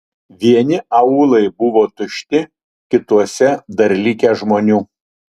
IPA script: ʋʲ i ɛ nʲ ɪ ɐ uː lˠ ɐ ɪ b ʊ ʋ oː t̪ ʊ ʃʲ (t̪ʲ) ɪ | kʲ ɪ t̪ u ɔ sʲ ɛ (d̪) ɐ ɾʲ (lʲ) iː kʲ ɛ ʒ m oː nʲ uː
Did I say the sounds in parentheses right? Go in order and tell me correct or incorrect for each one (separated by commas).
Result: correct, correct, correct